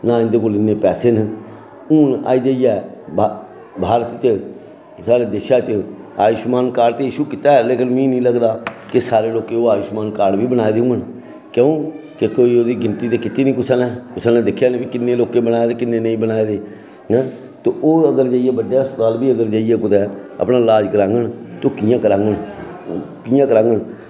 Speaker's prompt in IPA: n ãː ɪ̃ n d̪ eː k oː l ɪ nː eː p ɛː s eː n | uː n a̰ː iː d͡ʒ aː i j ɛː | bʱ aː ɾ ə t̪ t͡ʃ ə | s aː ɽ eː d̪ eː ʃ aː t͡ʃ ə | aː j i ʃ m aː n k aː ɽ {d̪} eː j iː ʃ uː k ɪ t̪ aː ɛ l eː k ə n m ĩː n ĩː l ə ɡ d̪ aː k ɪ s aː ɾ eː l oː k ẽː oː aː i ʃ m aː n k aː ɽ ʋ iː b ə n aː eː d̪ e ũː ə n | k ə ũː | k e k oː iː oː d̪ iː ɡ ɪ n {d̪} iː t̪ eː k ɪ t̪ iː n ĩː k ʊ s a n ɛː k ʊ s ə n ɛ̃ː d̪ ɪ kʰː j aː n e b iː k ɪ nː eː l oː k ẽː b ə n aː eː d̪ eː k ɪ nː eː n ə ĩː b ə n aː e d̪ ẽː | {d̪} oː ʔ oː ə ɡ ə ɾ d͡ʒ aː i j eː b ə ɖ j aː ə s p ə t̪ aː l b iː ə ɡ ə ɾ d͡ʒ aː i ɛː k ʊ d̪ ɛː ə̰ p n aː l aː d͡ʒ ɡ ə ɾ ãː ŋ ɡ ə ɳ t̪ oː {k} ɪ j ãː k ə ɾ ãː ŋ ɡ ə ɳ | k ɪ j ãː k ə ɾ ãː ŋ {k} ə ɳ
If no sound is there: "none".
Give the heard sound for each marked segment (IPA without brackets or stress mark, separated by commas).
t̪, t̪, t̪, k, ɡ